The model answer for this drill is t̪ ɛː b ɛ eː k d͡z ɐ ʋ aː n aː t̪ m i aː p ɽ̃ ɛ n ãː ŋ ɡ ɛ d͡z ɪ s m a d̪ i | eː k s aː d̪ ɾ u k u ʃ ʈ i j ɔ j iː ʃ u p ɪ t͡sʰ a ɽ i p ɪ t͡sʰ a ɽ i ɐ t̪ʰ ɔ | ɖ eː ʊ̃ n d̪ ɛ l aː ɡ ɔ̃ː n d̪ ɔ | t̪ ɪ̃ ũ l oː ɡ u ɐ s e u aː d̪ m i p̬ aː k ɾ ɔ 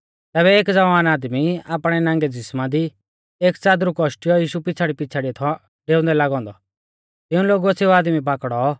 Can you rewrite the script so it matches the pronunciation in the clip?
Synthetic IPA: t̪ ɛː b ɛ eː k d͡z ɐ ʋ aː n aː d̪ m i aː p ɽ̃ ɛ n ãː ŋ ɡ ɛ d͡z ɪ s m a d̪ i | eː k t͡s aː d̪ ɾ u k ɔ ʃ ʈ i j ɔ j iː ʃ u p ɪ t͡sʰ a ɽ i p ɪ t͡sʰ a ɽ i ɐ t̪ʰ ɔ | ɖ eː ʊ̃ n d̪ ɛ l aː ɡ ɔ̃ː n d̪ ɔ | t̪ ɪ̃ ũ l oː ɡ u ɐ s e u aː d̪ m i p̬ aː k ɽ ɔ